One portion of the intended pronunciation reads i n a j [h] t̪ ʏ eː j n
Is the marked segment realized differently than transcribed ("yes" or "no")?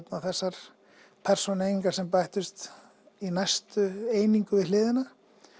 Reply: yes